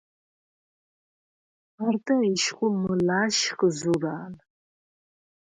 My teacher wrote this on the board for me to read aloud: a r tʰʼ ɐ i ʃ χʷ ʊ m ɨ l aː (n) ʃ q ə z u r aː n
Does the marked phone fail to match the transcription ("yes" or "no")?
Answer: yes